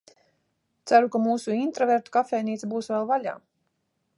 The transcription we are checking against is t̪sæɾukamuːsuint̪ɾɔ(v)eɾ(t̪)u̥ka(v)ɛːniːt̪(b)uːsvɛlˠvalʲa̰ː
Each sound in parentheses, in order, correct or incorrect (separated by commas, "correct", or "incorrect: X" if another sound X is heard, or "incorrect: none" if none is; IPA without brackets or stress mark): correct, correct, incorrect: f, correct